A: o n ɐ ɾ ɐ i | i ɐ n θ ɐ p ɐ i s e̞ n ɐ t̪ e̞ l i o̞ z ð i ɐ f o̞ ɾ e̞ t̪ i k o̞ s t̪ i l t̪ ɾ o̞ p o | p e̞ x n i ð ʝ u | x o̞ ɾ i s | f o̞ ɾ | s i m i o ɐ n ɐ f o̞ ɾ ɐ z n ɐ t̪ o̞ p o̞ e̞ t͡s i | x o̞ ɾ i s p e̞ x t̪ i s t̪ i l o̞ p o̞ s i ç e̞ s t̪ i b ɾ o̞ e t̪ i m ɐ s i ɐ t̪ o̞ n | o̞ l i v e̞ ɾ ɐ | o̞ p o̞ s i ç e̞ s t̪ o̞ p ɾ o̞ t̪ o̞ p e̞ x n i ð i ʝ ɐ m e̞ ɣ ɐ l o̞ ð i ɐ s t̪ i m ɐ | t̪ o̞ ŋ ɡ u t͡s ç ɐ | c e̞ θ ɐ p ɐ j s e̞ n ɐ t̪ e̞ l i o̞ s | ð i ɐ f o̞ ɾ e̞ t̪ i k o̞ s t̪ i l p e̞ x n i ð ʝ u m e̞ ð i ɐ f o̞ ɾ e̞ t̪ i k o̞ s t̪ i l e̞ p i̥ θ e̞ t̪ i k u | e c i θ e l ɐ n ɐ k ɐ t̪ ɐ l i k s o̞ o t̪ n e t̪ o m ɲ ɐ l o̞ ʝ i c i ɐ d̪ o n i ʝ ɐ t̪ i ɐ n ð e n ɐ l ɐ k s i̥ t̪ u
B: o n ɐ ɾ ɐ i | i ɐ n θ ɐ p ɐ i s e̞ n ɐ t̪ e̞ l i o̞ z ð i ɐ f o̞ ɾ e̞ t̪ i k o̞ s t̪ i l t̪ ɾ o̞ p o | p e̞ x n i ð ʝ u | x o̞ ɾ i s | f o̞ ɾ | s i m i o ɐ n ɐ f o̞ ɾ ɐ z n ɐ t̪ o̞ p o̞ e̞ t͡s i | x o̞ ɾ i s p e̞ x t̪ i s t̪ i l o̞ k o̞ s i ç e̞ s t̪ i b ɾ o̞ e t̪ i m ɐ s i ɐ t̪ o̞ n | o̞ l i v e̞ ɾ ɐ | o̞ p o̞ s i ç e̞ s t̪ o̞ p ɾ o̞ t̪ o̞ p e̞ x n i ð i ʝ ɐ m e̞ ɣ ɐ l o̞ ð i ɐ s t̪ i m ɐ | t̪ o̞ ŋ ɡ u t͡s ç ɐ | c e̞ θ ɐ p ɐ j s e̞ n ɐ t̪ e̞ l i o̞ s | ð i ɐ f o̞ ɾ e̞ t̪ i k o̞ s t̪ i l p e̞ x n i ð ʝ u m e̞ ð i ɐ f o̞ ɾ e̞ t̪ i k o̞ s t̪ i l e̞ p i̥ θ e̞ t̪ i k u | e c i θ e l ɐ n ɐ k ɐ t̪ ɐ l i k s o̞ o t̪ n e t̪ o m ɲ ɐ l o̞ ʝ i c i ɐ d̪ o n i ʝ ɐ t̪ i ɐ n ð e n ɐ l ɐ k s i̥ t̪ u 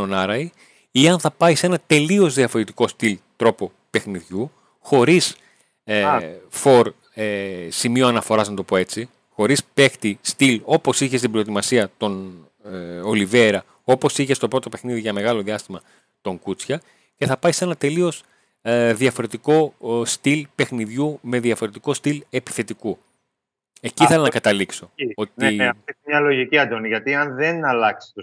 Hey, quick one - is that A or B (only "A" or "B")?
A